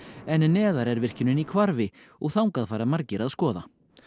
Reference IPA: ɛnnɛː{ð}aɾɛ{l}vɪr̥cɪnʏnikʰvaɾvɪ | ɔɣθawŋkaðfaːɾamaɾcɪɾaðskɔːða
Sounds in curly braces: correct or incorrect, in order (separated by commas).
correct, incorrect